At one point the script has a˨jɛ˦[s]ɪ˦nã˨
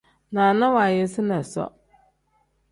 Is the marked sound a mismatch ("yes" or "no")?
no